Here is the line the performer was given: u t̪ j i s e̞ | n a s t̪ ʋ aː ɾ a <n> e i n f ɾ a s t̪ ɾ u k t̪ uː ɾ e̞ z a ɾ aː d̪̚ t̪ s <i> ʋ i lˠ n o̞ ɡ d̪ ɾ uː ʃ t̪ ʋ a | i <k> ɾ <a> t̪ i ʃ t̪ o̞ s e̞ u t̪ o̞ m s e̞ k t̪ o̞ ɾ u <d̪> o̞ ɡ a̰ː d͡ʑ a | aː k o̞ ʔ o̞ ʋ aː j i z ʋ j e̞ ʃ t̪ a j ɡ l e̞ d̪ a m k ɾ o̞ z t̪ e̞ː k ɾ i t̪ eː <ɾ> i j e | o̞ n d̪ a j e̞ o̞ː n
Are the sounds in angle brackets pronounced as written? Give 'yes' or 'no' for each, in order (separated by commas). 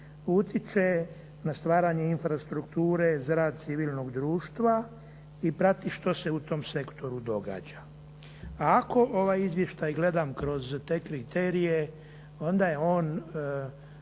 no, yes, no, yes, yes, yes